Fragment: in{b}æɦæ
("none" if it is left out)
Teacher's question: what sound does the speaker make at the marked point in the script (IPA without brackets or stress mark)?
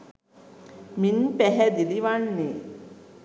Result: p